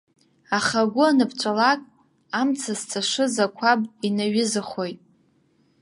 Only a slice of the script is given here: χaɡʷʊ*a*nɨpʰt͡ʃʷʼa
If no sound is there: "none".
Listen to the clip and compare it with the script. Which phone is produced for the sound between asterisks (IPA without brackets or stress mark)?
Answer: a